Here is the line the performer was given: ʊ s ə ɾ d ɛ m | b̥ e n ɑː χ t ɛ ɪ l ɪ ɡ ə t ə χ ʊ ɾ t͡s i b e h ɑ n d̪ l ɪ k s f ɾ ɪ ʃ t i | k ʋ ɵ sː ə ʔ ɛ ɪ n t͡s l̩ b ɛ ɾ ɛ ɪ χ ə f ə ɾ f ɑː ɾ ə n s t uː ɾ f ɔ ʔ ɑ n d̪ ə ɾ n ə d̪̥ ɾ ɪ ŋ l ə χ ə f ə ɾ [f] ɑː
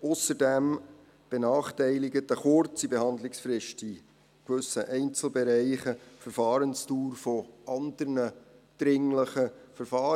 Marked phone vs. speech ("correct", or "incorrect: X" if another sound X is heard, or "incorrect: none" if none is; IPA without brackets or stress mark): correct